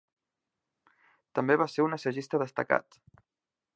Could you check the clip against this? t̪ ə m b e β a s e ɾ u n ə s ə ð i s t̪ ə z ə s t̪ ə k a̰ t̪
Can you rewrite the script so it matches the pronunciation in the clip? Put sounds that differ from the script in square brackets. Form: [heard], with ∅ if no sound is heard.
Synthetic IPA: t̪ ə m b e β a s e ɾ u n ə s ə [ʒ] i s t̪ ə [ð] ə s t̪ ə k a̰ t̪